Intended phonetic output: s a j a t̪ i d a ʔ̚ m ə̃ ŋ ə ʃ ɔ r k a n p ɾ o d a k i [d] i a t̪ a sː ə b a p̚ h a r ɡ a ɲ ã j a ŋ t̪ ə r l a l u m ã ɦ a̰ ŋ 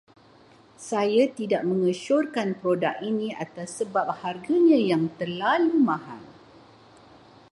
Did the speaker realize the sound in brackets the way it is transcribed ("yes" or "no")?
no